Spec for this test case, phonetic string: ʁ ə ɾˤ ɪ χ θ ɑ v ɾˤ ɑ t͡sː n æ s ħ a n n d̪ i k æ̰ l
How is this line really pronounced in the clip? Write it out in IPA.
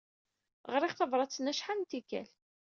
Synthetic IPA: ʁ ə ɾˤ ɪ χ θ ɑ v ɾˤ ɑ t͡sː n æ ʃ ħ a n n t̪ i k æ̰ l